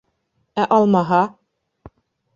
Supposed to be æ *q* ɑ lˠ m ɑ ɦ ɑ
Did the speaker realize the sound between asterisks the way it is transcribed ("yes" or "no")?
no